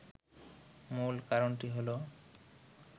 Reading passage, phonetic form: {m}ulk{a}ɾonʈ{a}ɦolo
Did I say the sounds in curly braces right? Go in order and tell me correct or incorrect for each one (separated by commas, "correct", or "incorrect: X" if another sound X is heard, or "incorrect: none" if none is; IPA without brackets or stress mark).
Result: correct, correct, incorrect: i